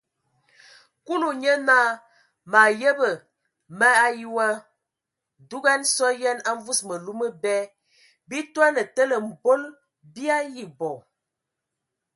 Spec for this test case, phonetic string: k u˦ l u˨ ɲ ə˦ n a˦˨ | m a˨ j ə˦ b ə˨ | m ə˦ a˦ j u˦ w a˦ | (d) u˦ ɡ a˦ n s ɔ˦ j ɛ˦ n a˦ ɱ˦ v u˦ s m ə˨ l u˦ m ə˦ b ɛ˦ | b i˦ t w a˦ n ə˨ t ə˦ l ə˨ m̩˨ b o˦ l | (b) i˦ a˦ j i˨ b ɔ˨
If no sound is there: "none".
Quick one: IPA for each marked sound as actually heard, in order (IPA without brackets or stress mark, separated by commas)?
d, b